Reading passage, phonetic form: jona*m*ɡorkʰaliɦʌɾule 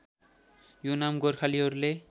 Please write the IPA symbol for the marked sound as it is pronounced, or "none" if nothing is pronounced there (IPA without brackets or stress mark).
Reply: m